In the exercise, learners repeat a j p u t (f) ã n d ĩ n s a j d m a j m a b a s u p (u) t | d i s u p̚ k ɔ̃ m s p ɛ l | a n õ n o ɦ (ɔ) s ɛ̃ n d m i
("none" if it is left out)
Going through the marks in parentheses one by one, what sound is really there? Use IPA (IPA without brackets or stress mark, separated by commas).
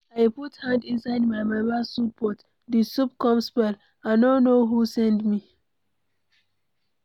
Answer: h, ɔ, u